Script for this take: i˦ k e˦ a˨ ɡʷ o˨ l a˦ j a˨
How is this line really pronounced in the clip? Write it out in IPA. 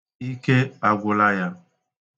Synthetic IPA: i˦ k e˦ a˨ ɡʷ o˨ l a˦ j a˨